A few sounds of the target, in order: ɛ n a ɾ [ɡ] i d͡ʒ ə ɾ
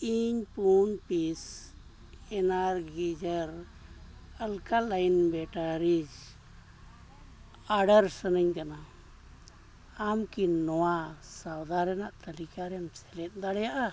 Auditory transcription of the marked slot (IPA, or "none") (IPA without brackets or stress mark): ɡ